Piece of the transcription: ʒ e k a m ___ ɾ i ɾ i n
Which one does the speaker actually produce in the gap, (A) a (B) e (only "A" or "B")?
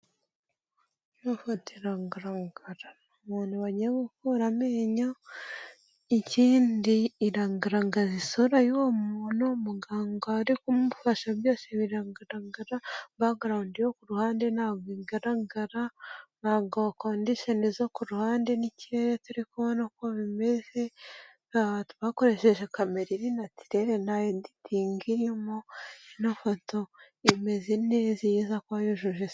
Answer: B